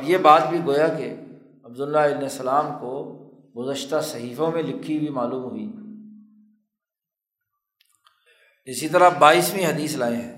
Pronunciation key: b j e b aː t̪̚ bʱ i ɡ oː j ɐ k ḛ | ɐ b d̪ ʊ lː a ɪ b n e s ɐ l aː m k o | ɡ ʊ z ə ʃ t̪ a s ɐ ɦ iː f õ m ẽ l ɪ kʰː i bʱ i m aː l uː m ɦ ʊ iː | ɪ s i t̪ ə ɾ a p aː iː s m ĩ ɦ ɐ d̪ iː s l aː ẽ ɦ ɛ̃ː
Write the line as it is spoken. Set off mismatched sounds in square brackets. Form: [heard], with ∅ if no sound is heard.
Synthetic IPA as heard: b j e b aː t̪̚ bʱ i ɡ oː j [a] k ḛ | ɐ b d̪ ʊ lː a ɪ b n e s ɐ l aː m k o | ɡ ʊ z ə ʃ t̪ a s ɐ ɦ iː f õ m ẽ l ɪ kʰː i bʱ i m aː l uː m ɦ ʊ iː | ɪ s i t̪ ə ɾ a [b] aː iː s m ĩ ɦ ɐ d̪ iː s l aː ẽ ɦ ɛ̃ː